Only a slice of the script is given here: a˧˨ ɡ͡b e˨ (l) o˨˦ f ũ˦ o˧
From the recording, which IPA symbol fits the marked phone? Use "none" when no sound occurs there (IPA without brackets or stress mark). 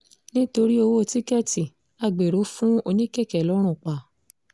ɾ